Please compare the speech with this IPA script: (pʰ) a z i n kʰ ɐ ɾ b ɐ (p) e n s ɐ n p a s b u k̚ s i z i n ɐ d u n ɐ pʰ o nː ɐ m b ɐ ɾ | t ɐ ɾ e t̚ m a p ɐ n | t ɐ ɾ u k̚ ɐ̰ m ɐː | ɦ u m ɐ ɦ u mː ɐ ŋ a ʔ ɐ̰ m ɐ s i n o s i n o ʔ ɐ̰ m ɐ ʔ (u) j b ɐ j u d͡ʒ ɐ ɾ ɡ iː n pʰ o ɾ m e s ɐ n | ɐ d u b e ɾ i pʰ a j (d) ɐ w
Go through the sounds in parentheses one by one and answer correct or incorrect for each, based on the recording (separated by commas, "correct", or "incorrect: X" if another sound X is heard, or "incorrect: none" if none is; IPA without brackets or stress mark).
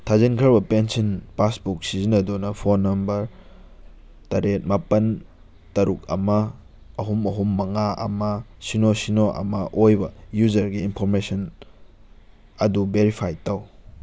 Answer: incorrect: tʰ, correct, incorrect: o, incorrect: t